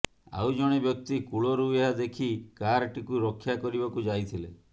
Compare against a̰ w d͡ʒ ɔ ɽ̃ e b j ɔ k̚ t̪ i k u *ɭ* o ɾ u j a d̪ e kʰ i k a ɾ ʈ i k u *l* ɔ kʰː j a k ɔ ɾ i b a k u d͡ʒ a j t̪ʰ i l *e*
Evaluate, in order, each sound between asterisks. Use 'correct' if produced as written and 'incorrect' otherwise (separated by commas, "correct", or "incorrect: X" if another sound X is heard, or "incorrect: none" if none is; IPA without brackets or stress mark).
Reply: correct, incorrect: ɾ, correct